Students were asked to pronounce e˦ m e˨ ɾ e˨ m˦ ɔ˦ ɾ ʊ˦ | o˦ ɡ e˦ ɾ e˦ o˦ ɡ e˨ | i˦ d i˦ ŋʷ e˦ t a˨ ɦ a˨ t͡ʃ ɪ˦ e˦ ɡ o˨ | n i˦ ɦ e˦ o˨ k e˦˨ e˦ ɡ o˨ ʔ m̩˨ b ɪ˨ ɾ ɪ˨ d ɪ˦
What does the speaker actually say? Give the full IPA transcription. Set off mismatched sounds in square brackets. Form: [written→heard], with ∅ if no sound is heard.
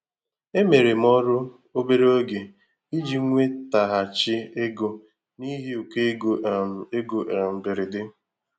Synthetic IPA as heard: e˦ m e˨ ɾ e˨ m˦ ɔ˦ ɾ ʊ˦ | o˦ [ɡ→b] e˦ ɾ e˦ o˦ ɡ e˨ | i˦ [d→d͡ʒ] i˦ ŋʷ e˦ t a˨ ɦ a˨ t͡ʃ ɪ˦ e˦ ɡ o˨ | n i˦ ɦ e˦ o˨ k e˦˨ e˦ ɡ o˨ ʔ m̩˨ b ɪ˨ ɾ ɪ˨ d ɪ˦